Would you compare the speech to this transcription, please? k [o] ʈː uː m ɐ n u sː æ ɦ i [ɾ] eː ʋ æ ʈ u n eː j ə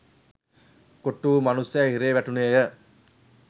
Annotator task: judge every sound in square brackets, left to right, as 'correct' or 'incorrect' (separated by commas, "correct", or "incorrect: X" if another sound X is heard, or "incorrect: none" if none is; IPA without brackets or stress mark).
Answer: correct, correct